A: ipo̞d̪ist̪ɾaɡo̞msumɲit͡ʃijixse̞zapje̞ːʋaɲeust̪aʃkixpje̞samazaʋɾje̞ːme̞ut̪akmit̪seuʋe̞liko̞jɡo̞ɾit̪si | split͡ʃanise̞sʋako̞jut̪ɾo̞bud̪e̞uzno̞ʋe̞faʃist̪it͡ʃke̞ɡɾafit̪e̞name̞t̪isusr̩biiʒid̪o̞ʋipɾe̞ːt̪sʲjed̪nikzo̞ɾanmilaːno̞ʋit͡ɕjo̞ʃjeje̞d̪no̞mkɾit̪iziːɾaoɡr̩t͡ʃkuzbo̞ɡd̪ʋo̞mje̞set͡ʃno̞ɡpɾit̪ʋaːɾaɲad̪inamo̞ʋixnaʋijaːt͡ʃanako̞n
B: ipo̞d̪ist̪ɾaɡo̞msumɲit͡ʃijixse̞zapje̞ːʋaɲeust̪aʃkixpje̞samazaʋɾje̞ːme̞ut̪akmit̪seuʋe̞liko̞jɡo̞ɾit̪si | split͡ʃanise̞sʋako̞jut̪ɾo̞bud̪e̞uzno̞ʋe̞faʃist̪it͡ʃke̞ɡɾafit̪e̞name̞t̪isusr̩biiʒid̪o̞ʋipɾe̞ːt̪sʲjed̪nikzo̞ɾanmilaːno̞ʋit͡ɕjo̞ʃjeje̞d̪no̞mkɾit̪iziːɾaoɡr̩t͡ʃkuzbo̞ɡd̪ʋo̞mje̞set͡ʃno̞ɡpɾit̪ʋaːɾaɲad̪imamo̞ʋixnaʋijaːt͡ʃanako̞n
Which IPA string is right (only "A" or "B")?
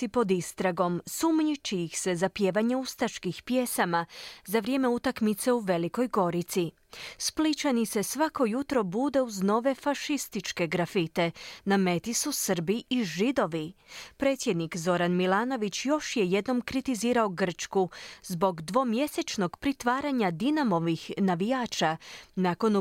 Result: A